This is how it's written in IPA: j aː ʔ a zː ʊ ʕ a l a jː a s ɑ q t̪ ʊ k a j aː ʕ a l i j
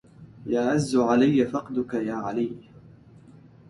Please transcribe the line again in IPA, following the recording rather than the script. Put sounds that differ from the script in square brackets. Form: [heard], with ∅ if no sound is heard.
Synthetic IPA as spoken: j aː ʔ a zː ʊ ʕ a l a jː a [f] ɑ q [d̪] ʊ k a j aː ʕ a l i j